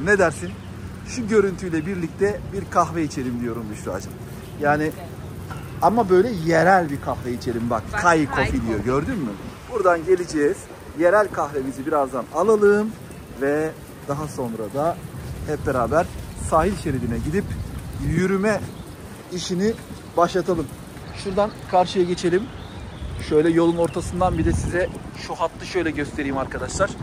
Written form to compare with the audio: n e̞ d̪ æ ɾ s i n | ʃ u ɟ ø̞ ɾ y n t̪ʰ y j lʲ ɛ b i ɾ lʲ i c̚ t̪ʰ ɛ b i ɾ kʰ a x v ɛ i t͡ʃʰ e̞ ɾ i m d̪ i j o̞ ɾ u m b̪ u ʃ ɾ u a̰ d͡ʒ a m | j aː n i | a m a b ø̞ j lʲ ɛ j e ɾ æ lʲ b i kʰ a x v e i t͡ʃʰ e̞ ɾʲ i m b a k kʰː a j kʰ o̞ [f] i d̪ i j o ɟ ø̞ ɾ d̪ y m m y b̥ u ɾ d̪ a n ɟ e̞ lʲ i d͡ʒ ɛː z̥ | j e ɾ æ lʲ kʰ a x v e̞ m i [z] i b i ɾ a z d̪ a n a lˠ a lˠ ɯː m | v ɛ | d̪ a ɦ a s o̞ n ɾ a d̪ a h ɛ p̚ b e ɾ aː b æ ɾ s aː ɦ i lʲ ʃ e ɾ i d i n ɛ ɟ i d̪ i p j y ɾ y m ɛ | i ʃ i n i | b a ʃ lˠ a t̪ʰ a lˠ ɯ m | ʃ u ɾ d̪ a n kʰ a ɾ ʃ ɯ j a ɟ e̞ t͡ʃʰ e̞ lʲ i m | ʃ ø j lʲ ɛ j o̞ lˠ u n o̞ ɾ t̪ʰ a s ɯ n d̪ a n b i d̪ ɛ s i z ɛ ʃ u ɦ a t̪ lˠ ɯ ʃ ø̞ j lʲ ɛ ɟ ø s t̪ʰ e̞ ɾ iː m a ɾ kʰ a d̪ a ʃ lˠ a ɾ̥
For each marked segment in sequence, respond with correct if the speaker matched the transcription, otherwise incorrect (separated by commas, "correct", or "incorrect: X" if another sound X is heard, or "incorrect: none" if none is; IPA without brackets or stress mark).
correct, correct